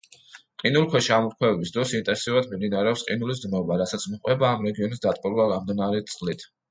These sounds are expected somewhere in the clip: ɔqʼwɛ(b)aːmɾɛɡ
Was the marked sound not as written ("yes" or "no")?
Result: no